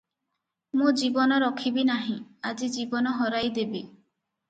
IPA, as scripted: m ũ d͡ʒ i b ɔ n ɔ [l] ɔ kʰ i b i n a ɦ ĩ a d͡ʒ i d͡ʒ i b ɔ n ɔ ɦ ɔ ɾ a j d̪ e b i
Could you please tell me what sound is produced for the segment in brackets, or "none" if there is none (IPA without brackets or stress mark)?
ɾ